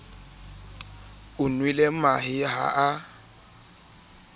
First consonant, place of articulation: alveolar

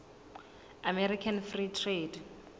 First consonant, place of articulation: labial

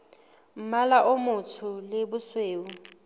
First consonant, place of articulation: labial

